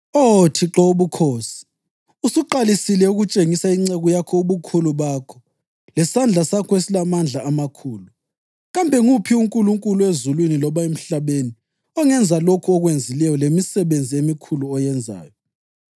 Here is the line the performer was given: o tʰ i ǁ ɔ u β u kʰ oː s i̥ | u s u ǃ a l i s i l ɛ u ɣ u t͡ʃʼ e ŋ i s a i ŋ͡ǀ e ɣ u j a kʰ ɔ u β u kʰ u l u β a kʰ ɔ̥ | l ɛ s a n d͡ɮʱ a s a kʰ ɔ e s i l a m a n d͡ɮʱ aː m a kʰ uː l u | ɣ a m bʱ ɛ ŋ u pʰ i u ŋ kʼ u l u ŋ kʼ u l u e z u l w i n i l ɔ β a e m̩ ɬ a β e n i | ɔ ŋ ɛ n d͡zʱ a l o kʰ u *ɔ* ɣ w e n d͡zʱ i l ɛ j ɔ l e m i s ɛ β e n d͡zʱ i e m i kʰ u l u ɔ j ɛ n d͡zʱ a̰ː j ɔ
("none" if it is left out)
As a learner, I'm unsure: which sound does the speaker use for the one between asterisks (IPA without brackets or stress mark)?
ɔ